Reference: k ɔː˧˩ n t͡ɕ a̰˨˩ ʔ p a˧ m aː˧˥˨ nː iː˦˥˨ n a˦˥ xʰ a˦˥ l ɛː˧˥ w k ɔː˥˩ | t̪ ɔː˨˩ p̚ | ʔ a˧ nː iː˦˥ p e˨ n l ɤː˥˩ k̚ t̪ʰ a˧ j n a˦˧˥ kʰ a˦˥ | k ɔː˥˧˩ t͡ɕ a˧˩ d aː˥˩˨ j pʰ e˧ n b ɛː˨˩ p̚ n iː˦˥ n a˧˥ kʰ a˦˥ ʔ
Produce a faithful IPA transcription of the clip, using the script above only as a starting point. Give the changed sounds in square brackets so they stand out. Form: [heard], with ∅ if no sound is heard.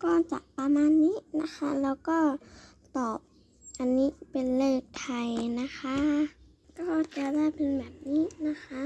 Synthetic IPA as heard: k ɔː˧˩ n t͡ɕ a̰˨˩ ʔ p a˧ m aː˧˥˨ nː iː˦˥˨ n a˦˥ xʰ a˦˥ l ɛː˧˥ w k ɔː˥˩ | t̪ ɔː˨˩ p̚ | ʔ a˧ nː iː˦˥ p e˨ n l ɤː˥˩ k̚ t̪ʰ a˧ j n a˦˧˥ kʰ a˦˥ | k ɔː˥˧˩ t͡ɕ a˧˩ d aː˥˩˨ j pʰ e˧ n b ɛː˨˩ p̚ n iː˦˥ n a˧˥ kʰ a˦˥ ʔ